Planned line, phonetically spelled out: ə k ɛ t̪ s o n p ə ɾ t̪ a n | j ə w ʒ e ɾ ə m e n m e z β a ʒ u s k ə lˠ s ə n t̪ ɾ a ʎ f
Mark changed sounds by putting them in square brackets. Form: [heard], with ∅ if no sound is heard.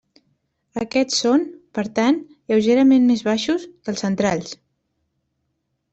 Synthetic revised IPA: ə k ɛ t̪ s o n p ə ɾ t̪ a n | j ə w ʒ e ɾ ə m e n m e z β a [ʃ] u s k ə lˠ s ə n t̪ ɾ a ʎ [s]